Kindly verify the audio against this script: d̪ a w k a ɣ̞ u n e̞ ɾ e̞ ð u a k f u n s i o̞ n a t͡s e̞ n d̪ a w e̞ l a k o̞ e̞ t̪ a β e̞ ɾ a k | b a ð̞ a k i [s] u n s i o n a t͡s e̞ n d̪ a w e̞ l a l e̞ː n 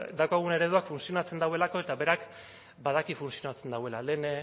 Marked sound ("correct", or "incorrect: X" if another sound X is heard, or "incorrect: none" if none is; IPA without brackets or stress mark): incorrect: f